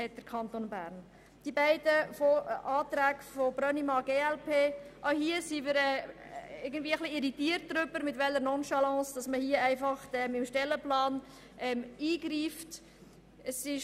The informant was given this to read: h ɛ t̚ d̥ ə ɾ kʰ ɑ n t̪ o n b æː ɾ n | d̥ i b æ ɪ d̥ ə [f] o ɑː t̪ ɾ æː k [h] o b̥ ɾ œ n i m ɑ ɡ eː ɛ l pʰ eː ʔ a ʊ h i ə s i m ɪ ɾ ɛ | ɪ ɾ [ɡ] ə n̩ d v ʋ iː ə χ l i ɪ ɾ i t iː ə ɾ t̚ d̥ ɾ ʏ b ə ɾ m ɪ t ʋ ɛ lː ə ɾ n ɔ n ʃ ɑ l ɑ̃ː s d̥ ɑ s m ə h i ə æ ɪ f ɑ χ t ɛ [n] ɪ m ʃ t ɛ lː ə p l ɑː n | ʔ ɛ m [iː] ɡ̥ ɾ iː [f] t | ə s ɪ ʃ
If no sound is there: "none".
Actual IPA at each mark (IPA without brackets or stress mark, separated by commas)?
f, f, ɡ, m, iː, f